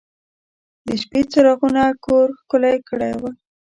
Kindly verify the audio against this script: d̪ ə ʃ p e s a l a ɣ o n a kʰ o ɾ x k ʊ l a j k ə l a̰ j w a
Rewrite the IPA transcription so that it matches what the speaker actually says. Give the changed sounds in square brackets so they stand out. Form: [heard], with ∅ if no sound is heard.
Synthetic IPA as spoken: d̪ ə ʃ p e [t͡s] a [ɾ] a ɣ [u] n a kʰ o ɾ x k ʊ l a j k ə [ɽ] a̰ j w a

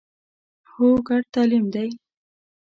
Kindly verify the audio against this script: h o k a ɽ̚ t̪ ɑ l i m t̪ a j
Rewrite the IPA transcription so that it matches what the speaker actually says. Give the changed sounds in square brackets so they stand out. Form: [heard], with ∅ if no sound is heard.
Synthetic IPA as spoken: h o [ɡ] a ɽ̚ t̪ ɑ l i m [d̪] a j

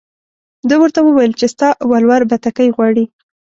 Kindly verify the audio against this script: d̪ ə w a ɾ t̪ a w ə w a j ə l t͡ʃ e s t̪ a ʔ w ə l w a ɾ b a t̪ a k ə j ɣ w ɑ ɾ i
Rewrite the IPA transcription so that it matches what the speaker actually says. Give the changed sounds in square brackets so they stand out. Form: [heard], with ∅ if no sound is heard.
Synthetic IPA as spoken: d̪ ə w [ə] ɾ t̪ a w ə w a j ə l t͡ʃ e s t̪ [ɑ] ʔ w [a] l w a ɾ b a t̪ a k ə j ɣ w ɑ [ɽ] i

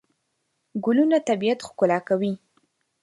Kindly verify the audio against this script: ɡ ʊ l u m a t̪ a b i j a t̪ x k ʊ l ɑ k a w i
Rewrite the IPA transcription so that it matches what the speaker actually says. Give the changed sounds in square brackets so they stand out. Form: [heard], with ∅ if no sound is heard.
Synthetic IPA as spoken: ɡ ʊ l u [n] a t̪ a b i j a t̪ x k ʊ l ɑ k a w i

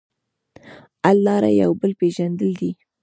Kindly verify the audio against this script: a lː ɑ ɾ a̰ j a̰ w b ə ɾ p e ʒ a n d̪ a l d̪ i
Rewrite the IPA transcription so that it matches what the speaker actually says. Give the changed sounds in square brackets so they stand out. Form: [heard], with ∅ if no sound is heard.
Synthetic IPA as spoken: a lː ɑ ɾ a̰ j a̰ w b ə [l] p e ʒ a n d̪ [ə] l d̪ i

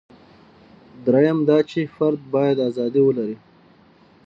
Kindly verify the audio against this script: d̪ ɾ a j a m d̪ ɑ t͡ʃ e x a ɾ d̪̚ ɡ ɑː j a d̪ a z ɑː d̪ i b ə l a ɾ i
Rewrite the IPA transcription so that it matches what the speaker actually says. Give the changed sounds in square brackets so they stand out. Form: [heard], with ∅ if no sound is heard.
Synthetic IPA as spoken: d̪ ɾ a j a m d̪ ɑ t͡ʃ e [f] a ɾ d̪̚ [b] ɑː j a d̪ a z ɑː d̪ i [w] ə l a ɾ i

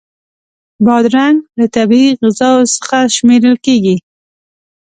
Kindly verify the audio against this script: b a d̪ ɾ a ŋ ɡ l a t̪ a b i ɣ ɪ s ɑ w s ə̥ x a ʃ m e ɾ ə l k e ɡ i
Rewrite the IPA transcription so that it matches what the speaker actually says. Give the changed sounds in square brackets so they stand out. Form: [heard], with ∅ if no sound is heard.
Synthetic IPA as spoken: b [ɑ] d̪ ɾ a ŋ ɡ l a t̪ a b i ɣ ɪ [z] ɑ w s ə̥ x a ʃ m e ɾ ə l k e ɡ i

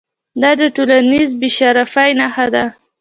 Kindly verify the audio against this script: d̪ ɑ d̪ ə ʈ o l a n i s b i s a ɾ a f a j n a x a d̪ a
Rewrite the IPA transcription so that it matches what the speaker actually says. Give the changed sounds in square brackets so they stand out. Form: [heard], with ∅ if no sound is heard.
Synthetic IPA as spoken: d̪ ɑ d̪ ə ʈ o l a n i [z] b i [ʃ] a ɾ a f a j n a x a d̪ a

